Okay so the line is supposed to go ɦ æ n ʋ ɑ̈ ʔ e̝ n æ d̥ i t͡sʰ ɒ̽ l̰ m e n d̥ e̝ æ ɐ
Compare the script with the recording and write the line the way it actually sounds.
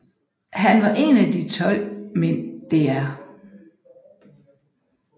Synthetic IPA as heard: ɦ æ n ʋ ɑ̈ ʔ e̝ n æ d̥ i t͡sʰ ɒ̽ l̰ m e n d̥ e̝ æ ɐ